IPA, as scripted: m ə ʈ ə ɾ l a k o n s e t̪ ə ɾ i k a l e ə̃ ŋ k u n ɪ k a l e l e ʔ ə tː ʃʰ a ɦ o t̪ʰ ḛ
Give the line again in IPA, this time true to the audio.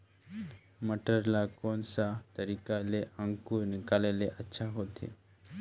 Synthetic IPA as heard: m ə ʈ ə ɾ l a k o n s a t̪ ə ɾ i k a l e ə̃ ŋ k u n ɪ k a l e l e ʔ ə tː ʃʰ a ɦ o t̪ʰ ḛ